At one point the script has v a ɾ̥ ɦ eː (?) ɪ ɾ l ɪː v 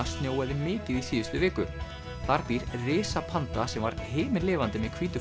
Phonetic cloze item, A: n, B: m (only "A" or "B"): B